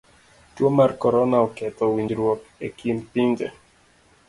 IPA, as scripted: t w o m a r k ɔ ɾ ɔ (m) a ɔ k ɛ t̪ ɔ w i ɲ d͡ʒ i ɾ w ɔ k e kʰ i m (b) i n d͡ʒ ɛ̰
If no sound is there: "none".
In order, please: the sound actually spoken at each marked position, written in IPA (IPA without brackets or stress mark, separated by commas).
n, p